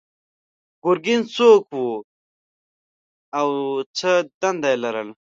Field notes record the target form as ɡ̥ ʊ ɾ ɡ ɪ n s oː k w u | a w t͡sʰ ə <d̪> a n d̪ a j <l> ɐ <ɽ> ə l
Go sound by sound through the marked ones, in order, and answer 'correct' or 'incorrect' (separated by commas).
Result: correct, correct, incorrect